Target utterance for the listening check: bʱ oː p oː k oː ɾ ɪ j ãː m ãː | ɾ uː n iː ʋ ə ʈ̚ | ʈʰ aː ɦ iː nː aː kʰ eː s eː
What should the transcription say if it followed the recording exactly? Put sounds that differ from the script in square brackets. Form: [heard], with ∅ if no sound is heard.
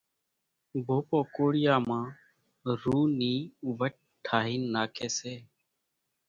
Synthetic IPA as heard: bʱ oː p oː k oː [ɽ] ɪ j [aː] m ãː | ɾ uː n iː ʋ ə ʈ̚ | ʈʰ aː ɦ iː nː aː kʰ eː s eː